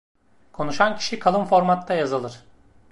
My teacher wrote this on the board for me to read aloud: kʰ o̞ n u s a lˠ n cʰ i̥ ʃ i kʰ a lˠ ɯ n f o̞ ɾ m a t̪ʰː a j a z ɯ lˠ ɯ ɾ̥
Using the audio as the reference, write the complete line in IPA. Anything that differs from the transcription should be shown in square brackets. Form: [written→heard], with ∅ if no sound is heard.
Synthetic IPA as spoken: kʰ o̞ n u [s→ʃ] a [lˠ→∅] n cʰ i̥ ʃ i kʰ a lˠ ɯ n f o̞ ɾ m a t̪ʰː a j a z ɯ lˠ ɯ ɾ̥